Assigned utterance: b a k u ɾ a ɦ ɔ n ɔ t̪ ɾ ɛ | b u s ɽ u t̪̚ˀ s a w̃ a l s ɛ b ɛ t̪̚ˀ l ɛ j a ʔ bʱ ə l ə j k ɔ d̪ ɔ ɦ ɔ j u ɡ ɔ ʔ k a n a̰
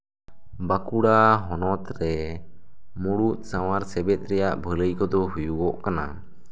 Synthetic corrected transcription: b a k u ɽ a ɦ ɔ n ɔ t̪ ɾ ɛ | m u ɽ u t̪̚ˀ s a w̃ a ɾ s ɛ b ɛ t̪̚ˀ ɾ ɛ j a ʔ bʱ ə l ə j k ɔ d̪ ɔ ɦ u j u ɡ ɔ ʔ k a n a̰